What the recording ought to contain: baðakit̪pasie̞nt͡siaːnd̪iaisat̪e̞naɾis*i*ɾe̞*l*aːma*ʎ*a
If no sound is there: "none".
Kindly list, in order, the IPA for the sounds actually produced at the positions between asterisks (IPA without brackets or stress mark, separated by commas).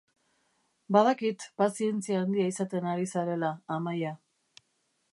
a, l, j